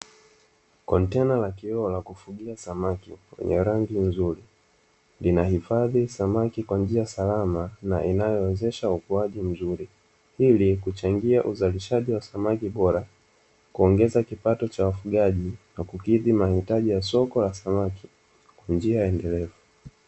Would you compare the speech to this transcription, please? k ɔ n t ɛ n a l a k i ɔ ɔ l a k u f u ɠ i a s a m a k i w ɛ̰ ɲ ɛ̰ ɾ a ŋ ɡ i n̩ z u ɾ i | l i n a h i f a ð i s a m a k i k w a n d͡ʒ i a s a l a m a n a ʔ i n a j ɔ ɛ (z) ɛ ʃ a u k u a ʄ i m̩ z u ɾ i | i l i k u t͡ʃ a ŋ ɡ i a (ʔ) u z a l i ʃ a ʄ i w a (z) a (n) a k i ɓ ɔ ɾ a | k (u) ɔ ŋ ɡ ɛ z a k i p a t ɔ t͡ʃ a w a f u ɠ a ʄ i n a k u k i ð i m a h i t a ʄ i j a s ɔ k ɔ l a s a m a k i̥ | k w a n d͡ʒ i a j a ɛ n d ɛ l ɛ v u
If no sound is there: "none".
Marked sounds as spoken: z, ʔ, s, m, u

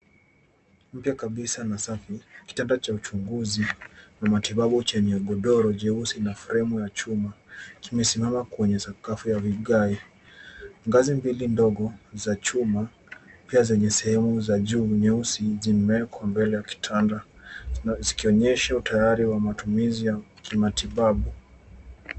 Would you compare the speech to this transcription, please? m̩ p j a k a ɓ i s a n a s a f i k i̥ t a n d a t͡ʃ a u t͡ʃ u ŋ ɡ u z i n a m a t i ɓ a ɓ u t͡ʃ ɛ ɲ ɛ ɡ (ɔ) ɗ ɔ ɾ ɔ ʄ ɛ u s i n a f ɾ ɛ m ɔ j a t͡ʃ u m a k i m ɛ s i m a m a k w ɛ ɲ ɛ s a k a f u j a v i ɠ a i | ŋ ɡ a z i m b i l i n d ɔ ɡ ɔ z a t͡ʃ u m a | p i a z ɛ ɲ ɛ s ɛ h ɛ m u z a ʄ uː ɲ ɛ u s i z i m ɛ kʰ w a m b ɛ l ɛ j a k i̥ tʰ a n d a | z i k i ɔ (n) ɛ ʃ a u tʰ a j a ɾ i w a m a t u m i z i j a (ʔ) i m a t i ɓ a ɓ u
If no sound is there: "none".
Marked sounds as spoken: ɔ, ɲ, k

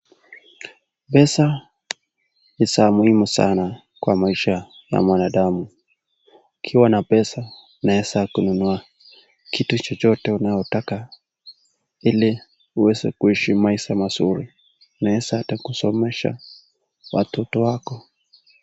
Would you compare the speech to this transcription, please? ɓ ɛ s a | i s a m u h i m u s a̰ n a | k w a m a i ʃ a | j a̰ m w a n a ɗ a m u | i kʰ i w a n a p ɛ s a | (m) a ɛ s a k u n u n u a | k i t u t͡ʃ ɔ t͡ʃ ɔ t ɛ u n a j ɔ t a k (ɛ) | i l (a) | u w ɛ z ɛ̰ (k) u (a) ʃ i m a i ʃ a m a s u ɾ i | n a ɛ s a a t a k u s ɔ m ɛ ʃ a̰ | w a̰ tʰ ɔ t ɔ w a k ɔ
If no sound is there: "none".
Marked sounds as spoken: n, a, i, k, i

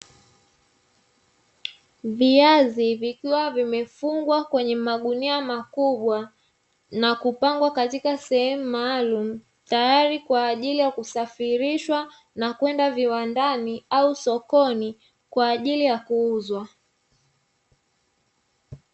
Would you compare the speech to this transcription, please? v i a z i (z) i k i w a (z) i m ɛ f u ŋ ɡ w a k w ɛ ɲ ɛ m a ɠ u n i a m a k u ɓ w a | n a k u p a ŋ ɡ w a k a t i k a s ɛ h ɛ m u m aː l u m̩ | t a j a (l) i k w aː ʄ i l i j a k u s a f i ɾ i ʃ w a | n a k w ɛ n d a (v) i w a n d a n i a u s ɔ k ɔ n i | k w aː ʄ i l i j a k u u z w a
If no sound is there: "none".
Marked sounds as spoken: v, v, ɾ, v

